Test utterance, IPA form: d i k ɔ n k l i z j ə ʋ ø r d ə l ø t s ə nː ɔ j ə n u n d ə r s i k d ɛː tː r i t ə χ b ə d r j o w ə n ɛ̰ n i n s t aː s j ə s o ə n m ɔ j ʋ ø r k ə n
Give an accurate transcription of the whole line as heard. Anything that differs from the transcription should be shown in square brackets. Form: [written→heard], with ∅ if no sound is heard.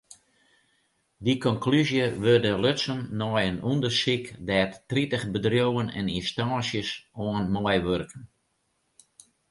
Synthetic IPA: d i k ɔ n k l [i→y] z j ə ʋ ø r d ə l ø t s ə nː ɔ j ə n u n d ə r s i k d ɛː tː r i t ə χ b ə d r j o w ə n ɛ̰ n i n s t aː s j ə s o ə n m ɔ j ʋ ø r k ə n